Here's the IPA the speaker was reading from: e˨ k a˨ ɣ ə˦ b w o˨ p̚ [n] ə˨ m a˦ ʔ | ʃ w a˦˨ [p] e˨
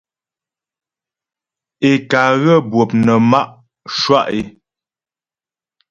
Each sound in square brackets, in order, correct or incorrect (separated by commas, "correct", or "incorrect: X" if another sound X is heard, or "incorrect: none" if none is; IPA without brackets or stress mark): correct, incorrect: ʔ